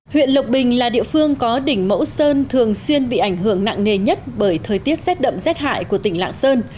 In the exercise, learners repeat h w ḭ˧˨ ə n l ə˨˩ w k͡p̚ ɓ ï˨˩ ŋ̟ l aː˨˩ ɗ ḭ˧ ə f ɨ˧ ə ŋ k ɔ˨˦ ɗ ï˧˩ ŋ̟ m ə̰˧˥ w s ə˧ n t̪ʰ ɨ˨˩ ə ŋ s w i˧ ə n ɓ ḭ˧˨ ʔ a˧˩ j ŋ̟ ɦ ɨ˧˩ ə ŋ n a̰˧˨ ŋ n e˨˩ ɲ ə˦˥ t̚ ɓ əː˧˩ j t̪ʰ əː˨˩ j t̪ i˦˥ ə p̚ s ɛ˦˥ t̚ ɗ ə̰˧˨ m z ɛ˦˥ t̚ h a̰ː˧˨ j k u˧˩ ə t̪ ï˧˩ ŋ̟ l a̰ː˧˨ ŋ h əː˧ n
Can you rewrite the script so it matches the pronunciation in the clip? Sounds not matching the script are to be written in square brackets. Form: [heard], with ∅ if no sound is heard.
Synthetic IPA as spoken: h w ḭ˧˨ ə n l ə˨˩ w k͡p̚ ɓ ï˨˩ ŋ̟ l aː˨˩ ɗ ḭ˧ ə f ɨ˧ ə ŋ k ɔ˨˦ ɗ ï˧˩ ŋ̟ m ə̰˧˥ w s [əː˧] n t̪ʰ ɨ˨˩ ə ŋ s w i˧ ə n ɓ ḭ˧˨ ʔ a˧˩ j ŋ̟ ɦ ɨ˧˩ ə ŋ n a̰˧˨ ŋ n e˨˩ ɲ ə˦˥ t̚ ɓ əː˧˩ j t̪ʰ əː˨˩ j t̪ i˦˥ ə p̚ s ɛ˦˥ t̚ ɗ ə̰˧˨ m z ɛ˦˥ t̚ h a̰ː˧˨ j k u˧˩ ə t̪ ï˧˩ ŋ̟ l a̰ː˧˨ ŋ [s] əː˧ n